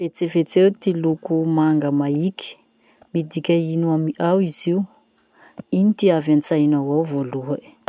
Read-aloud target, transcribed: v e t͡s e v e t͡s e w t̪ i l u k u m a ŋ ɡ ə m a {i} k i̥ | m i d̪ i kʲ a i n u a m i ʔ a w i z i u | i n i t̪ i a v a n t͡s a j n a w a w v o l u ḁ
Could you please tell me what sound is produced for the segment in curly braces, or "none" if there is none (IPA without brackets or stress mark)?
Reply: i